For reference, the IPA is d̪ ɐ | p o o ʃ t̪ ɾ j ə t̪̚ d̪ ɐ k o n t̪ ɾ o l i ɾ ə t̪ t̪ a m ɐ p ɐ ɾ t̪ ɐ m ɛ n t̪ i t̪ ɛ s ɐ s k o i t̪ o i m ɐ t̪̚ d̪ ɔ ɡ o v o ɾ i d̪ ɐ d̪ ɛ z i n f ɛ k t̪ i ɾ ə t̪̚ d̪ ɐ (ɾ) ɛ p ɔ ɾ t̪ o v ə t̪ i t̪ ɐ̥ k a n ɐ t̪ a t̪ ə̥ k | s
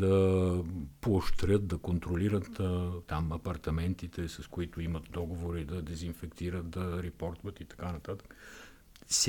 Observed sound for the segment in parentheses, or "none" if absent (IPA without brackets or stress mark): ɾ